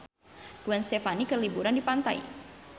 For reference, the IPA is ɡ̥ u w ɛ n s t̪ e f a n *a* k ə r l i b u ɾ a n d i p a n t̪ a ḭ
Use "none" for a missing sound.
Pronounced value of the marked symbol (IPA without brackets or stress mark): i